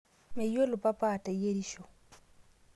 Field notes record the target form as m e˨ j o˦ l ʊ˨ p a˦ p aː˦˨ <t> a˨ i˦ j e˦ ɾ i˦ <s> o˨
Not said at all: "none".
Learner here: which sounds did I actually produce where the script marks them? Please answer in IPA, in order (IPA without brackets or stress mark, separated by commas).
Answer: t, ʃ